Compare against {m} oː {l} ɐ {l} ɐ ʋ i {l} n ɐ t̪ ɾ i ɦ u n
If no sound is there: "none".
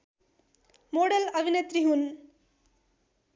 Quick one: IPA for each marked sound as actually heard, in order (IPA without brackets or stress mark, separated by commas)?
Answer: m, ɽ, l, none